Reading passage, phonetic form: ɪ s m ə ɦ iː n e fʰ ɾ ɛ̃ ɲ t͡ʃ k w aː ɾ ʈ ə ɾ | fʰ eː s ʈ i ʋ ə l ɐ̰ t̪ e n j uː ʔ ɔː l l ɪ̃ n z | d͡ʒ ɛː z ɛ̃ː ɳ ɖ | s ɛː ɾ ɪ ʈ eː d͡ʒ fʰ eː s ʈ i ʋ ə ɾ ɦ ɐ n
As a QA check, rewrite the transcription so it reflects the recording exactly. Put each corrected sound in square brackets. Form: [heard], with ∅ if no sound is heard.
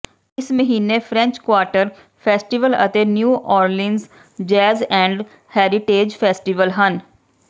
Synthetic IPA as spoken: ɪ s m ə ɦ iː n e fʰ ɾ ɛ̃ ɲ t͡ʃ k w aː ɾ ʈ ə ɾ | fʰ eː s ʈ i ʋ ə l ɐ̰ t̪ e n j uː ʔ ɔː [ɾ] l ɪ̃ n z | d͡ʒ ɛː z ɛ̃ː ɳ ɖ | [h] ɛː ɾ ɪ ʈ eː d͡ʒ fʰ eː s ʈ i ʋ ə [l] ɦ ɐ n